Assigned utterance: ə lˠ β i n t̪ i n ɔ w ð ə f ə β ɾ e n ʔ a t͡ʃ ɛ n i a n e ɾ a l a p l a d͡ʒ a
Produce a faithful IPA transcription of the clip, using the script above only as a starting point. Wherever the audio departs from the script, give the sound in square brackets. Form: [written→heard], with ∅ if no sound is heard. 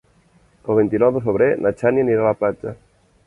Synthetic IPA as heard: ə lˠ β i n t̪ i n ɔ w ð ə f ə β ɾ e n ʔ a t͡ʃ [ɛ→a] n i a n [e→i] ɾ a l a p l a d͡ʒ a